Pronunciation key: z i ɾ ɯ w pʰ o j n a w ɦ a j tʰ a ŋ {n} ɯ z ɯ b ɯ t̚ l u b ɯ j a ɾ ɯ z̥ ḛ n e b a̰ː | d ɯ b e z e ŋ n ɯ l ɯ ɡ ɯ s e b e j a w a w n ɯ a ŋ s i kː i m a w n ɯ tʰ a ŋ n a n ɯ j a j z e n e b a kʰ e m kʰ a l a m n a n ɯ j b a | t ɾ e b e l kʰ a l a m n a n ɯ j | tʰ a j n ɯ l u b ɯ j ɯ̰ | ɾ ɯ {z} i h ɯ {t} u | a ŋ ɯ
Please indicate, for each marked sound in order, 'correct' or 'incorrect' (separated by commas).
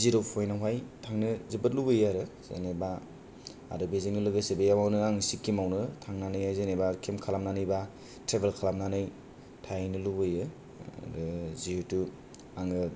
correct, correct, correct